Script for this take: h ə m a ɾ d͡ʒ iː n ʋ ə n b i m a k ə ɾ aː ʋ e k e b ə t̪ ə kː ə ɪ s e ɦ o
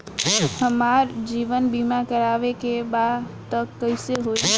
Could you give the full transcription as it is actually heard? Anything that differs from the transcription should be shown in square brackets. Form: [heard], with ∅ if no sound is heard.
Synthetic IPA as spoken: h ə m a ɾ d͡ʒ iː [∅] ʋ ə n b i m a k ə ɾ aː ʋ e k e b [a] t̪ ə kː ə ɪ s e ɦ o